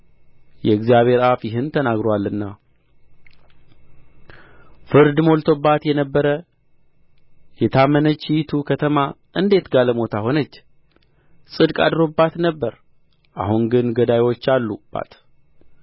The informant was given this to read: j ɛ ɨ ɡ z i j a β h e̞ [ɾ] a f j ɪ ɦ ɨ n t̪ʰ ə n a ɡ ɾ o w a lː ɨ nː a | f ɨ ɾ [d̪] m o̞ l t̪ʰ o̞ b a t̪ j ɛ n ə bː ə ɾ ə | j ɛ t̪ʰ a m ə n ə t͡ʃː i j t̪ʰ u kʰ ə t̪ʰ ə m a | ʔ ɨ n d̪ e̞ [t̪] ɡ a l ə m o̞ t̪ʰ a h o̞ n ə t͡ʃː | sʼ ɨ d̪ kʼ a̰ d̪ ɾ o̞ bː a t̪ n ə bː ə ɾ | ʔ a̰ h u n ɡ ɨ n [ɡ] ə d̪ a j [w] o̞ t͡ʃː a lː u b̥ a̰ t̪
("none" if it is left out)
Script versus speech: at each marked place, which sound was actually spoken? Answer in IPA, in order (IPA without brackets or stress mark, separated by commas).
ɾ, d̪, t̪, ɡ, w